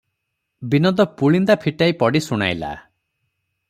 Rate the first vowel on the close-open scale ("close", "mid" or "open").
close